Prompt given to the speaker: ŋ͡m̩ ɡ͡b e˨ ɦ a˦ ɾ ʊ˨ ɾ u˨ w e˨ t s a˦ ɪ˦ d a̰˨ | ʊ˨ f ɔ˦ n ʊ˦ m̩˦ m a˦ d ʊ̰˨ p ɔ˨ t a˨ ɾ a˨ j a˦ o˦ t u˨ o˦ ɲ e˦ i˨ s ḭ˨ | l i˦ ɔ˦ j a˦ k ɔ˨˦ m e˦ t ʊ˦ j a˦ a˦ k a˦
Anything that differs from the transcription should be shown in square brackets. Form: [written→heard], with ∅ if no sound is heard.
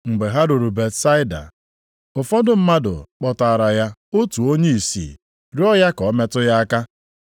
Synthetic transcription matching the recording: ŋ͡m̩ ɡ͡b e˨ ɦ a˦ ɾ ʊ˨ ɾ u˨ [w→b] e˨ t s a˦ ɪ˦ d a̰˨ | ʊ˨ f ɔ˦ [n→d] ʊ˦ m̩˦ m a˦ d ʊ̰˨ [p→k͡p] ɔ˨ t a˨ ɾ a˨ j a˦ o˦ t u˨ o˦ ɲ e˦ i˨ s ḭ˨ | [l→ɾ] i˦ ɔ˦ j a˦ k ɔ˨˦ m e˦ t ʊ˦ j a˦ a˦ k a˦